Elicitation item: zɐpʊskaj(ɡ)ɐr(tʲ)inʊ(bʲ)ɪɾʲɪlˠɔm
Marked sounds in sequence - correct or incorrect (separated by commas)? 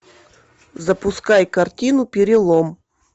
incorrect, correct, incorrect